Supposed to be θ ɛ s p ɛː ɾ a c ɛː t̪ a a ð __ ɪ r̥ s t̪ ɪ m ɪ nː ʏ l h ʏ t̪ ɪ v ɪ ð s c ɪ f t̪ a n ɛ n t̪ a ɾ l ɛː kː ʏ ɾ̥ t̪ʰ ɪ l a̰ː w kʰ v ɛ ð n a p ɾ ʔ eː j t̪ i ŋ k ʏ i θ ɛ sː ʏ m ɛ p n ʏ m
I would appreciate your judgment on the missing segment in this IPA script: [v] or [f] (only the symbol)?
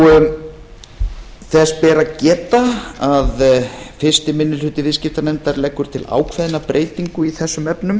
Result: f